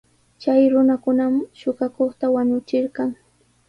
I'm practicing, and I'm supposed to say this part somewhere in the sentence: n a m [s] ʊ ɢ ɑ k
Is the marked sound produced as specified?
no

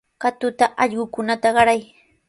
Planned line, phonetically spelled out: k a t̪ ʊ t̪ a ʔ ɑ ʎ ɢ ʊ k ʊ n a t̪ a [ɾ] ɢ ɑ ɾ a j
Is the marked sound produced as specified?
no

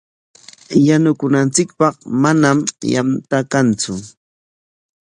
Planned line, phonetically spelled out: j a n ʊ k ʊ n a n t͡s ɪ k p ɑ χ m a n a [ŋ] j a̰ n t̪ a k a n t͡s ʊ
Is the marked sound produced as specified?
no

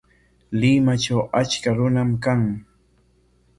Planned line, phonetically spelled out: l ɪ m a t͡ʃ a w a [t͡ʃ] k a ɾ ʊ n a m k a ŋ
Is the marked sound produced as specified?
yes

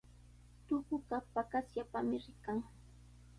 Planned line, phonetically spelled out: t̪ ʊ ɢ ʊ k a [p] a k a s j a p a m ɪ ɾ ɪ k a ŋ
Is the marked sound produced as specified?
yes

